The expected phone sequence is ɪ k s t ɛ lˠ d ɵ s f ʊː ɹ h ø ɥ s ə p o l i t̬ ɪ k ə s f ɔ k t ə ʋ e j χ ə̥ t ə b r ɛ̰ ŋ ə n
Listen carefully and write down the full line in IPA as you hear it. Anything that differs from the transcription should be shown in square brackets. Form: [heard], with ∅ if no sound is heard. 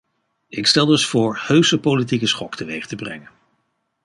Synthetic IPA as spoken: ɪ k s t ɛ lˠ d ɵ s f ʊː ɹ h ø ɥ s ə p o l i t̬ [i] k ə s [χ] ɔ k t ə ʋ e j χ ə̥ t ə b r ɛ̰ ŋ ə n